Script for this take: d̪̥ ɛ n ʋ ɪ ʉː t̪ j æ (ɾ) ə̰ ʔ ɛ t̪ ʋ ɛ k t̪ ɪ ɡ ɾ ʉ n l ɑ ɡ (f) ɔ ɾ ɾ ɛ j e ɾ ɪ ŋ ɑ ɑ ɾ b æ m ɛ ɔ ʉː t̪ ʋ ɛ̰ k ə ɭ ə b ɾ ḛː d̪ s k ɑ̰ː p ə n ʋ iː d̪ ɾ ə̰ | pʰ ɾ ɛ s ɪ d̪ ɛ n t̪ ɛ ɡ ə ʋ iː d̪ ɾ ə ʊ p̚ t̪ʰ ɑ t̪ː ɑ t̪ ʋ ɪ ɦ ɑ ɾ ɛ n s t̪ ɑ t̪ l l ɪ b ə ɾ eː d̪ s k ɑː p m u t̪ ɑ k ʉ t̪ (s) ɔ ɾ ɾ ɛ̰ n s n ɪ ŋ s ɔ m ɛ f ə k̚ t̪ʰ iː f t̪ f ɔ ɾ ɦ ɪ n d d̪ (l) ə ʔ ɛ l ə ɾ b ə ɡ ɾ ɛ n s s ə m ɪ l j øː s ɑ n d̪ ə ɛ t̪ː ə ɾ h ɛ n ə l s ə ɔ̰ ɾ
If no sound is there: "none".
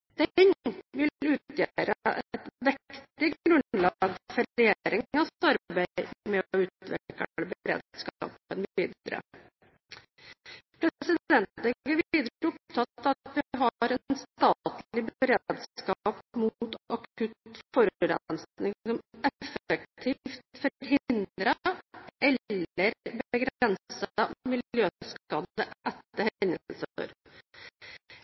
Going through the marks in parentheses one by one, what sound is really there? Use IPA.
ɾ, f, f, ɾ

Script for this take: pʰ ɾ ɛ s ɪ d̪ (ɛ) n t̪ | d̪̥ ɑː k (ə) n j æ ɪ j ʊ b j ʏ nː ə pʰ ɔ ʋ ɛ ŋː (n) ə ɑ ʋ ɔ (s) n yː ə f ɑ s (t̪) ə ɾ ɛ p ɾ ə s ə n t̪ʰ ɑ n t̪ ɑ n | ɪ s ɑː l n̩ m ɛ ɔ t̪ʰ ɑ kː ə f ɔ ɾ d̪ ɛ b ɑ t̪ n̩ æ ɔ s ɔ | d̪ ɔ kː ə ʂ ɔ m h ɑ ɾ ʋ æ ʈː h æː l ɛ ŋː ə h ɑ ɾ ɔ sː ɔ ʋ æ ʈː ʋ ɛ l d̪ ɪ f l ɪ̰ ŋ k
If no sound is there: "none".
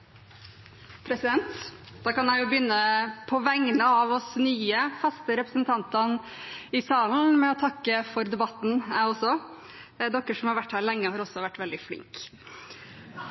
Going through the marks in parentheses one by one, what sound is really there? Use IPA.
ɛ, ɑ, n, s, t̪

